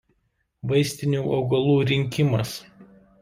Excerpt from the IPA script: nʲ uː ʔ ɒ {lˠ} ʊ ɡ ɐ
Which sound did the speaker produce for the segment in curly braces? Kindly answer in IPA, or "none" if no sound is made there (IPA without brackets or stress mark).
none